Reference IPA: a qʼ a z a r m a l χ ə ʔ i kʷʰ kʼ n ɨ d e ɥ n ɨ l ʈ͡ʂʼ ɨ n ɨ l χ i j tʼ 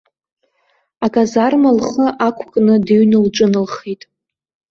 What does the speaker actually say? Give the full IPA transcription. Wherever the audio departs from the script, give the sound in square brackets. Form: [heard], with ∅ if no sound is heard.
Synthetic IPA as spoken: a [kʼ] a z a r m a l χ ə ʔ [a] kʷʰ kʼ n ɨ d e ɥ n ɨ l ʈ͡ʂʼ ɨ n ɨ l χ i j tʼ